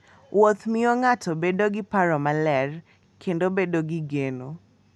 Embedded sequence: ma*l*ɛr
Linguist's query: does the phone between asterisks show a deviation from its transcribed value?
no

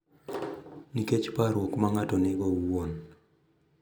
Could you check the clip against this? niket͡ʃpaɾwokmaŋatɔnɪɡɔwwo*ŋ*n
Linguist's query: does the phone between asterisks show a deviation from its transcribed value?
yes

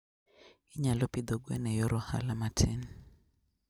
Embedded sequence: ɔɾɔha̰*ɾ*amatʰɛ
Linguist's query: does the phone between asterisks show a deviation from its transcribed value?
yes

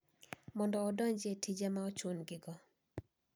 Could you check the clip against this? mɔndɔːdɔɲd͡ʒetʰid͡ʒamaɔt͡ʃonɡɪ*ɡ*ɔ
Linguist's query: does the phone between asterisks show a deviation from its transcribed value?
no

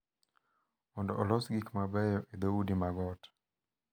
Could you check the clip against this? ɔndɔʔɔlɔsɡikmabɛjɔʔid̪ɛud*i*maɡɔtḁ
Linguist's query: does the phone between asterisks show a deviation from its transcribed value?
no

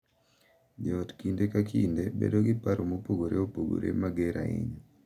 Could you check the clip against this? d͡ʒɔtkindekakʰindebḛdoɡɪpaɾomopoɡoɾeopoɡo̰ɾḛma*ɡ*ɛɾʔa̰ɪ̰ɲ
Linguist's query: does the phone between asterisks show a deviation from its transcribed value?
no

